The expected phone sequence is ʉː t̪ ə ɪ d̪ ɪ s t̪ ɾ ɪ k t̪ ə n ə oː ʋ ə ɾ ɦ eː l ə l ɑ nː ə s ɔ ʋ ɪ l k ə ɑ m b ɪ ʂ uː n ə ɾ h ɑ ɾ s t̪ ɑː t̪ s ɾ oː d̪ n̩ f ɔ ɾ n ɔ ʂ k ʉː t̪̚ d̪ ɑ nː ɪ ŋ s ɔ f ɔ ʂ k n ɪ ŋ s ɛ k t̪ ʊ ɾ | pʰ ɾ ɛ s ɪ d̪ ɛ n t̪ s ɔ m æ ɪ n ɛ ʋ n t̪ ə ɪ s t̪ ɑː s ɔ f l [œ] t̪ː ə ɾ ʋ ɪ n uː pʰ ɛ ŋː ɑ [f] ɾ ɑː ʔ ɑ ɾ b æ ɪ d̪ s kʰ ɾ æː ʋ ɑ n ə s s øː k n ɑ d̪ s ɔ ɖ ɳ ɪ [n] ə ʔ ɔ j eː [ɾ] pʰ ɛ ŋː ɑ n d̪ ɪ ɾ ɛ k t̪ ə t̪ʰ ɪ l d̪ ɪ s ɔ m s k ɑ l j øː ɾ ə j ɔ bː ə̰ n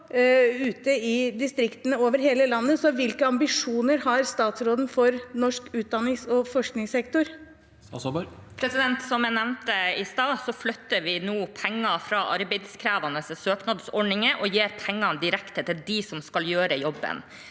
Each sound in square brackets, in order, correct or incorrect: correct, correct, incorrect, correct

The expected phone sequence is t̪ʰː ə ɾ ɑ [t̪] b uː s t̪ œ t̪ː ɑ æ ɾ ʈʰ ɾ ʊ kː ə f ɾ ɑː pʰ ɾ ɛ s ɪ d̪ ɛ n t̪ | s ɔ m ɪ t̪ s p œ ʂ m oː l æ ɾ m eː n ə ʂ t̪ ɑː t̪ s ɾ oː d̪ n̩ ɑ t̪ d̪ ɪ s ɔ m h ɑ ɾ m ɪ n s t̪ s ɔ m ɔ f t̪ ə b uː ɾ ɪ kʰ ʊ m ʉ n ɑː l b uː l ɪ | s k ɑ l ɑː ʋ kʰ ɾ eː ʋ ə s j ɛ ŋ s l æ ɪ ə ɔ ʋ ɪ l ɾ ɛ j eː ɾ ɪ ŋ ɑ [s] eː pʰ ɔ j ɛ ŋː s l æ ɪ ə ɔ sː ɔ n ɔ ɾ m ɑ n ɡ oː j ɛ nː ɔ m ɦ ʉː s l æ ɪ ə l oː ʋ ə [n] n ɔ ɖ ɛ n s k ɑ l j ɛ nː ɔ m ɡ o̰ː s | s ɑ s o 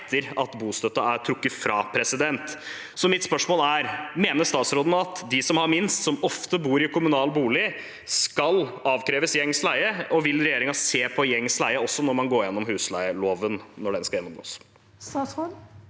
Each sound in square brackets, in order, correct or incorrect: correct, correct, correct

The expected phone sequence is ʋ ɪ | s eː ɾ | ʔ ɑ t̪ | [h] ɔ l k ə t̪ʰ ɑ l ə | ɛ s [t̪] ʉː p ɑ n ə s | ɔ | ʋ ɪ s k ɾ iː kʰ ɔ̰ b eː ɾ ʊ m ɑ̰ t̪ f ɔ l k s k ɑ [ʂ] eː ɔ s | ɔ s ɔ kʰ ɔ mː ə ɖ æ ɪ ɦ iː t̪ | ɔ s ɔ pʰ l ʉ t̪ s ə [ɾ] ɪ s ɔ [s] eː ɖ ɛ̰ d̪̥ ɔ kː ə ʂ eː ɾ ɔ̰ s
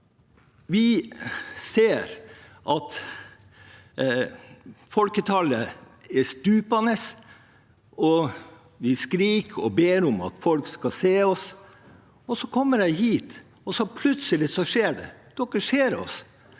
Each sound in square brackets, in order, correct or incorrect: incorrect, correct, incorrect, incorrect, incorrect

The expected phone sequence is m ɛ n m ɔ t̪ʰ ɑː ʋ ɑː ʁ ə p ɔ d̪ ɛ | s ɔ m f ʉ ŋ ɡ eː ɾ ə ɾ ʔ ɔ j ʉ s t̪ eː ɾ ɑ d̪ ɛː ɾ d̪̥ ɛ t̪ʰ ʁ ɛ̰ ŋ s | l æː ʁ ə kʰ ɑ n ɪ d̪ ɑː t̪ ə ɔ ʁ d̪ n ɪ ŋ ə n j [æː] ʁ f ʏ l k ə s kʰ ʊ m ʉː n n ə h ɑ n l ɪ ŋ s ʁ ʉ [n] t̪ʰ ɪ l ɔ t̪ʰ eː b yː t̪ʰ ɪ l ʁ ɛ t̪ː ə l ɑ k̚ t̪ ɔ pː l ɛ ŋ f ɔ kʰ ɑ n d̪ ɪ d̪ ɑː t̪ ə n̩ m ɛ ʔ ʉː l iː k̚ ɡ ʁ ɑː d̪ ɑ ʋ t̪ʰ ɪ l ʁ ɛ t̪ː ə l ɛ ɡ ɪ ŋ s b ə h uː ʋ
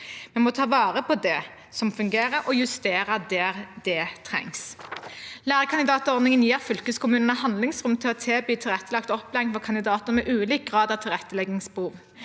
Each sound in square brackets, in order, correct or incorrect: incorrect, incorrect

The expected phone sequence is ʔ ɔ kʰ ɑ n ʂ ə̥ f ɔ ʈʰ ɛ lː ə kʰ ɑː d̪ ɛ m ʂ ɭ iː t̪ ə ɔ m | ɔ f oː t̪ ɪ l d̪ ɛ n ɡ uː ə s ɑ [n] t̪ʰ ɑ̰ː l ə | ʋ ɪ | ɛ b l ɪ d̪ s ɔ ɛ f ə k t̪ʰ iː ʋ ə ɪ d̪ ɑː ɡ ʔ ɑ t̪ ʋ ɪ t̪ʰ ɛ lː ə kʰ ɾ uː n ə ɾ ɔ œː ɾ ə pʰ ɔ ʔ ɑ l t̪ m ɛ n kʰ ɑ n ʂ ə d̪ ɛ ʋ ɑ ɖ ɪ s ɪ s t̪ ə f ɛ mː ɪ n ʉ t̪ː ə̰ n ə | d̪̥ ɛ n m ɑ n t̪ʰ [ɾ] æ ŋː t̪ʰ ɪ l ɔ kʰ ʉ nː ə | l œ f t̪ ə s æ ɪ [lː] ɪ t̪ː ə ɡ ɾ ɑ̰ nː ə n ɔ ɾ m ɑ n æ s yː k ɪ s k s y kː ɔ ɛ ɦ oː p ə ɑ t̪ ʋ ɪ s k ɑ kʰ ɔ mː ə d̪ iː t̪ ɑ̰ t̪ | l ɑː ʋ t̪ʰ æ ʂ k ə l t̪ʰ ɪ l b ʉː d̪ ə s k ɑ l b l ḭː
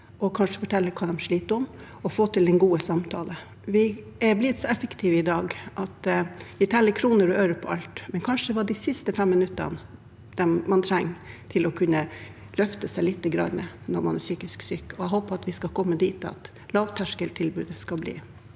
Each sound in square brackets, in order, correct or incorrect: incorrect, correct, incorrect

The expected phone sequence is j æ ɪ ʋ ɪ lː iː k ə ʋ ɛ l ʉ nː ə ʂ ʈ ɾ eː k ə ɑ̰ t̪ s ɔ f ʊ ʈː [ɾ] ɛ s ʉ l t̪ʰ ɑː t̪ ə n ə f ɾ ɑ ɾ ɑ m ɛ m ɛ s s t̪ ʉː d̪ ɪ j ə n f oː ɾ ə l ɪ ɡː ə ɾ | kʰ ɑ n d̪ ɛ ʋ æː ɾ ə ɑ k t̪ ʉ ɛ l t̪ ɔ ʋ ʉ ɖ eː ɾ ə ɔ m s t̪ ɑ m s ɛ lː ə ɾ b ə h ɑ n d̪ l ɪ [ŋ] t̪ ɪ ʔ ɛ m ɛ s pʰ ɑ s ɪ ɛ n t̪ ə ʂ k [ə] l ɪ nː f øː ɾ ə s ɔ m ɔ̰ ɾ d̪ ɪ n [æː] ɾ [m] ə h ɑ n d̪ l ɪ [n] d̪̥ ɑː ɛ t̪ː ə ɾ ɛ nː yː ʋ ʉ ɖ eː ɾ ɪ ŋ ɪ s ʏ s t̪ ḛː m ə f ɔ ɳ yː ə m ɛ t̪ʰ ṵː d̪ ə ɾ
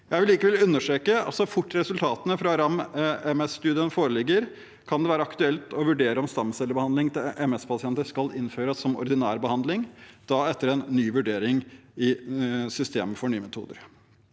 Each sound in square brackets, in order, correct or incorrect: correct, correct, incorrect, correct, incorrect, incorrect

